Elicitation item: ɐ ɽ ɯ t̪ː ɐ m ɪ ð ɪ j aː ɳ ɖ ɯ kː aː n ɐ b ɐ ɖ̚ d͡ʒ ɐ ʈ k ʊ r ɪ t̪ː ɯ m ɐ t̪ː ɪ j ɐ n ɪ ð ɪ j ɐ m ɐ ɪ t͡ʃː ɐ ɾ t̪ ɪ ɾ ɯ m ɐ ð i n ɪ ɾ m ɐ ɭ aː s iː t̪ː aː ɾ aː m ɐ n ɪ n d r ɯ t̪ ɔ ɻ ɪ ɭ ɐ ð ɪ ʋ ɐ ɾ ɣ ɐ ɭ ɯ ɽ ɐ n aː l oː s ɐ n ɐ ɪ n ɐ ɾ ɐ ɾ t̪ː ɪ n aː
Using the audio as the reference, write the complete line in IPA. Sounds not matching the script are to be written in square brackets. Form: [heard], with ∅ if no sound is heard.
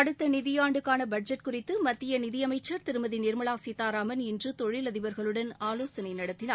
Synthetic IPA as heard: ɐ ɽ ɯ t̪ː ɐ [n] ɪ ð ɪ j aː ɳ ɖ ɯ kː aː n ɐ b ɐ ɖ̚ d͡ʒ ɐ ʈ k ʊ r ɪ t̪ː ɯ m ɐ t̪ː ɪ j ɐ n ɪ ð ɪ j ɐ m ɐ ɪ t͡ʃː ɐ ɾ t̪ ɪ ɾ ɯ m ɐ ð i n ɪ ɾ m ɐ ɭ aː s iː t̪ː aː ɾ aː m ɐ n ɪ n d r ɯ t̪ ɔ ɻ ɪ [l] ɐ ð ɪ ʋ ɐ ɾ ɣ ɐ ɭ ɯ ɽ ɐ n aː l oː s ɐ n ɐ ɪ n ɐ [ɽ] ɐ [∅] t̪ː ɪ n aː